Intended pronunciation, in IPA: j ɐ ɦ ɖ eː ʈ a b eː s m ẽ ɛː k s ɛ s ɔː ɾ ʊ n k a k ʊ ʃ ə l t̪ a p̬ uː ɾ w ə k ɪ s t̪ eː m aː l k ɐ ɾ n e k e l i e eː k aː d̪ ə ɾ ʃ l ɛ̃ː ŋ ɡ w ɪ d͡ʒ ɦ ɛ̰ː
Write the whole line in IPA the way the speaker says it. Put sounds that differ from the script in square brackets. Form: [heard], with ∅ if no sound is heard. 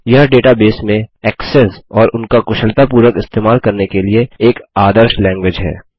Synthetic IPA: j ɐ ɦ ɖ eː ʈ a b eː s m ẽ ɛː k s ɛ s ɔː ɾ ʊ n k a k ʊ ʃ ə l t̪ a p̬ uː ɾ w ə k ɪ s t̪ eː m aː l k ɐ ɾ n e k e l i e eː k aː d̪ ə ɾ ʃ l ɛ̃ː ŋ ɡ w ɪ d͡ʒ ɦ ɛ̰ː